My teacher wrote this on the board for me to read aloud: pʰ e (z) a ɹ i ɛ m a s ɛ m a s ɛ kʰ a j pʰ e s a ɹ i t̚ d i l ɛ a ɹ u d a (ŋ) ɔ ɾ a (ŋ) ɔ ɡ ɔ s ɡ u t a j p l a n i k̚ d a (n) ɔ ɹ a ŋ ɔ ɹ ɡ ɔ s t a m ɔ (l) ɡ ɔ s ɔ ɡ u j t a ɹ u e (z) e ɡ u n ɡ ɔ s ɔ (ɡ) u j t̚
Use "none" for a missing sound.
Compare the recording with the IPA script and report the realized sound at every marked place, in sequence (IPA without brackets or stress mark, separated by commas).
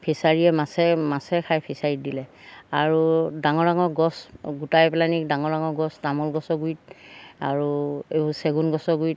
s, ŋ, ŋ, ŋ, l, s, ɡ